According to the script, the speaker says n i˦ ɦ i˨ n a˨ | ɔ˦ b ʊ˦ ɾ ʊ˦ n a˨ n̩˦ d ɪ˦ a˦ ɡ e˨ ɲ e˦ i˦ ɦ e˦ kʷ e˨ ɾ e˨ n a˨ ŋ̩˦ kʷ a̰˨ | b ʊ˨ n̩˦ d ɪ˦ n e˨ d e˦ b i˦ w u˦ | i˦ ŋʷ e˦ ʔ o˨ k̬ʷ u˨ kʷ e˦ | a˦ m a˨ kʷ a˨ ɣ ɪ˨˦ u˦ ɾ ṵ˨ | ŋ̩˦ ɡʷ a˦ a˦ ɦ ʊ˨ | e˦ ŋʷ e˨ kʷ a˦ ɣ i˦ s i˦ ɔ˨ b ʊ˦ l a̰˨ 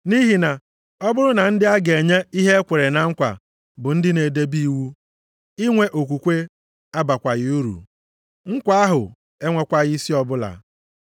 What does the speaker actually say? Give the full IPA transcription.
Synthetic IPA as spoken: n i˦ ɦ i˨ n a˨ | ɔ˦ b ʊ˦ ɾ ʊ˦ n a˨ n̩˦ d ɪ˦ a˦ ɡ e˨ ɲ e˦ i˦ ɦ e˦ kʷ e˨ ɾ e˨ n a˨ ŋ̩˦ kʷ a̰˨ | b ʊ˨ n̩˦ d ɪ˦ n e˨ d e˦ b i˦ w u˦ | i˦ ŋʷ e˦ ʔ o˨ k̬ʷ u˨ kʷ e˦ | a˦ b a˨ kʷ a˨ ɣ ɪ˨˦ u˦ ɾ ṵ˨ | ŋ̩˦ kʷ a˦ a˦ ɦ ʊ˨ | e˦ ŋʷ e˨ kʷ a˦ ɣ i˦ s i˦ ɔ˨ b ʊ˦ l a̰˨